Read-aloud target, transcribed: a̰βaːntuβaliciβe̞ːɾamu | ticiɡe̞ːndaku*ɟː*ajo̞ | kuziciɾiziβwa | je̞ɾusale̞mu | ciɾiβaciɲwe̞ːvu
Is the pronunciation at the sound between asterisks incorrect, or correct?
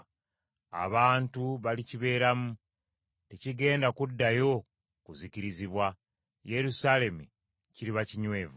incorrect